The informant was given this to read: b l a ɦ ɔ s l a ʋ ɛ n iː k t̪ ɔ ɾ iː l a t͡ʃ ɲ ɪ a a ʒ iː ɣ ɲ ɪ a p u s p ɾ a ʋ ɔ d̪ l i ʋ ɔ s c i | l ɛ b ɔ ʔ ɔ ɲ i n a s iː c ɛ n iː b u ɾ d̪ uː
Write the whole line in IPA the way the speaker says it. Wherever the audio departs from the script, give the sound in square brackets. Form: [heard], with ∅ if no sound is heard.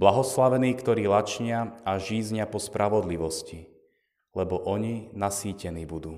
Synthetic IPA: b l a ɦ ɔ s l a ʋ ɛ n iː k t̪ ɔ ɾ iː l a t͡ʃ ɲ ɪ a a ʒ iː [z] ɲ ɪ a p [ɔ] s p ɾ a ʋ ɔ d̪ l i ʋ ɔ s c i | l ɛ b ɔ ʔ ɔ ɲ i n a s iː c ɛ n iː b u [∅] d̪ uː